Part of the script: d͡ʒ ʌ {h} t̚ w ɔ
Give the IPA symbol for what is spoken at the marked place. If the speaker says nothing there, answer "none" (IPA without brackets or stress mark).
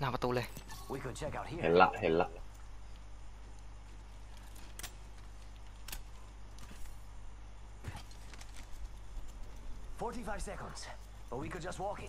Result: s